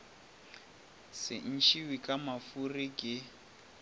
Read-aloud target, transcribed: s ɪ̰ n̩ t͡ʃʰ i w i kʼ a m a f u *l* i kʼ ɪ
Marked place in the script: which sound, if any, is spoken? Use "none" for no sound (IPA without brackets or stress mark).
r